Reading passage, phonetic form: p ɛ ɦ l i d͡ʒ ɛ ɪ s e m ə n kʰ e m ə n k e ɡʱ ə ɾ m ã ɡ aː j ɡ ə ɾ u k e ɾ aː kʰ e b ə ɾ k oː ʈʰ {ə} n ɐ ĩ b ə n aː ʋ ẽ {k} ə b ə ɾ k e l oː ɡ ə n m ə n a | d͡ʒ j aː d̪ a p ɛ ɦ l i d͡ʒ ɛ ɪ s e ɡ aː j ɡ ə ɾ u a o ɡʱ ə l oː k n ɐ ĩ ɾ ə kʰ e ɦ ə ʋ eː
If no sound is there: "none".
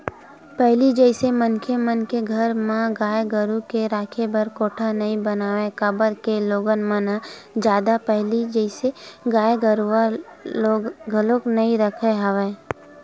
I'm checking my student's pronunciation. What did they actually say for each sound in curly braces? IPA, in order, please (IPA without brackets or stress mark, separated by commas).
a, k